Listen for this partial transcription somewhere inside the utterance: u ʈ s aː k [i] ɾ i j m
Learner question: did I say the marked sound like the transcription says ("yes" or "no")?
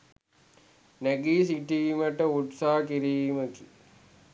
yes